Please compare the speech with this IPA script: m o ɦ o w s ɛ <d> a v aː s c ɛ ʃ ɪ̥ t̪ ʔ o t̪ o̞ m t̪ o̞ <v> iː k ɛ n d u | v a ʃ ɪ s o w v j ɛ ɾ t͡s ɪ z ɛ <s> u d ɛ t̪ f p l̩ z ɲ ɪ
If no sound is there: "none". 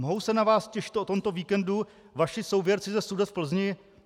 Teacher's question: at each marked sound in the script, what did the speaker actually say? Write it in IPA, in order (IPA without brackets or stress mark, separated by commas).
n, v, s